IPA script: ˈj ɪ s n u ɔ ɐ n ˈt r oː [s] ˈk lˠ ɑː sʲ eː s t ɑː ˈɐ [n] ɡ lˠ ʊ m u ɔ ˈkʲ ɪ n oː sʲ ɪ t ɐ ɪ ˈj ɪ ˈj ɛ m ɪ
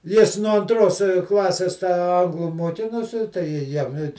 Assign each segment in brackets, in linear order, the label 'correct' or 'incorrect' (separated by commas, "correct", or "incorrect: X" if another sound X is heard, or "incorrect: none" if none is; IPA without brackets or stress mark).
correct, incorrect: ŋ